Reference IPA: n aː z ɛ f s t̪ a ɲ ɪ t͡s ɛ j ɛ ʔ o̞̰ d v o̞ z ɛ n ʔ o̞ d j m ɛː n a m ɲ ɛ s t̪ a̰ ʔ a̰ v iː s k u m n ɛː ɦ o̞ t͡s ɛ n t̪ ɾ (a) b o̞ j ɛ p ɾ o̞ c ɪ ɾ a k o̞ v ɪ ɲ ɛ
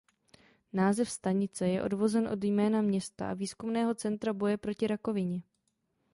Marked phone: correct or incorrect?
correct